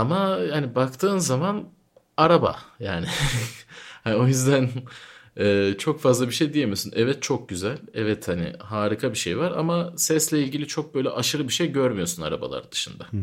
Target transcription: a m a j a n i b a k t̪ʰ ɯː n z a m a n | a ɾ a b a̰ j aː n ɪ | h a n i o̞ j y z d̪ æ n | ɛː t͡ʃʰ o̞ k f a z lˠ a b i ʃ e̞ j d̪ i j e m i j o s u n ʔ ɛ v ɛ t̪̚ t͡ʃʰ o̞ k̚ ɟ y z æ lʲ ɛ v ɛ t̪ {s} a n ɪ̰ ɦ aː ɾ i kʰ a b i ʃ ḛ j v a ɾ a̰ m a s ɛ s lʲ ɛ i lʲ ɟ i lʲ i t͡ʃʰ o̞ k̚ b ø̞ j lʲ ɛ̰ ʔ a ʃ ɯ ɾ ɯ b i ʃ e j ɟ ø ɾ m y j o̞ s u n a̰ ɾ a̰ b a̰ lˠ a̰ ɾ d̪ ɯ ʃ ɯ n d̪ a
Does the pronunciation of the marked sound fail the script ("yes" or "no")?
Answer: yes